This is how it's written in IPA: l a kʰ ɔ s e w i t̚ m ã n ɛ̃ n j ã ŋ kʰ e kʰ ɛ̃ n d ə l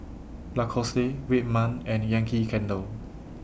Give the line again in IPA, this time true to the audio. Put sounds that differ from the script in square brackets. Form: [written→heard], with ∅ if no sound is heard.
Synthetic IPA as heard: l a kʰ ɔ s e w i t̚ m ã n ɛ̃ n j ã ŋ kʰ [e→i] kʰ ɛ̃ n d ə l